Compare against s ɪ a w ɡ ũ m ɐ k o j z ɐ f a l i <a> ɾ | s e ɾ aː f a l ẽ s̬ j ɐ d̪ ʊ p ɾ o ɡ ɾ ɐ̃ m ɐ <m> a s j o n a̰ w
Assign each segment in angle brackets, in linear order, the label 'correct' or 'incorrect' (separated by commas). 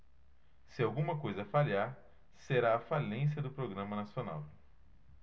correct, incorrect